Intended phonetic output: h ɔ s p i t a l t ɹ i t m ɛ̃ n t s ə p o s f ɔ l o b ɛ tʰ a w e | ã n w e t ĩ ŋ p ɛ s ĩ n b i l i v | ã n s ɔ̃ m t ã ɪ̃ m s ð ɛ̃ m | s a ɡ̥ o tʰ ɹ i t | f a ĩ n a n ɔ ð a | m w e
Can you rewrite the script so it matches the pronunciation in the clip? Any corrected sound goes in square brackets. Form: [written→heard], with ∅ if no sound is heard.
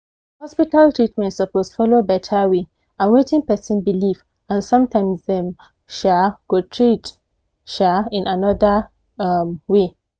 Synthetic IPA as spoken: h ɔ s p i t a l t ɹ i t m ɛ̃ n t s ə p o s f ɔ l o b ɛ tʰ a w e | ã n w e t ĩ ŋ p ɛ s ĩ n b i l i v | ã n s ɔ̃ m t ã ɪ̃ m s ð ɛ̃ m | [s→ʃ] a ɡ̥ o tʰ ɹ i t | [f→ʃ] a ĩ n a n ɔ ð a | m w e